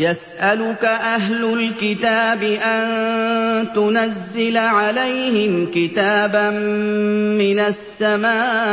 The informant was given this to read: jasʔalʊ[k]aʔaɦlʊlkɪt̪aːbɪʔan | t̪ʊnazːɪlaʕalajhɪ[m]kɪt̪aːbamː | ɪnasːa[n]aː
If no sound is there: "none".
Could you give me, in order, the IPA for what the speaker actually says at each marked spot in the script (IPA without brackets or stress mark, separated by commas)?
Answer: k, m, m